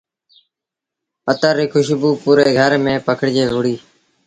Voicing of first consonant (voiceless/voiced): voiceless